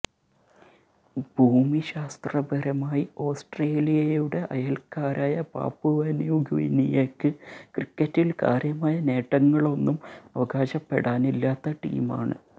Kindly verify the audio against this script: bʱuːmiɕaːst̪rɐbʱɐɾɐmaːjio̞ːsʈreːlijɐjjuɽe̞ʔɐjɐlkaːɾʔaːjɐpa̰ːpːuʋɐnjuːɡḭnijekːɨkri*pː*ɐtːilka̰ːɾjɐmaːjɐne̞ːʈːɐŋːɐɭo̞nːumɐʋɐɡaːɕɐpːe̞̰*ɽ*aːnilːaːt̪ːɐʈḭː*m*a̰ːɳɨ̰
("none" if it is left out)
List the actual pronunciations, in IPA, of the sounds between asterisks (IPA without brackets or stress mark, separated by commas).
kː, ɽ, m